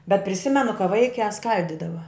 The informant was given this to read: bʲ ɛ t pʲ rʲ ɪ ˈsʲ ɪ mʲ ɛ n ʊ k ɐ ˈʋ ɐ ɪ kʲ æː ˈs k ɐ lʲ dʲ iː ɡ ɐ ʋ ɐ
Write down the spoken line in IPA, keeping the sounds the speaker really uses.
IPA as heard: bʲ ɛ t pʲ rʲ ɪ ˈsʲ ɪ mʲ ɛ n ʊ k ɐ ˈʋ ɐ ɪ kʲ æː ˈs k ɐ lʲ dʲ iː d ɐ ʋ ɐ